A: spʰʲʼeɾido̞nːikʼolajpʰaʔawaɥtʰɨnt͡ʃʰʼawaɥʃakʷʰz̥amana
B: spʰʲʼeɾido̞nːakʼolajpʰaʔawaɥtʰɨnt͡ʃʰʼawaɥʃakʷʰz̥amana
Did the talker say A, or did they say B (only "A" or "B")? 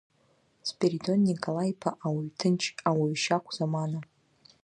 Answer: A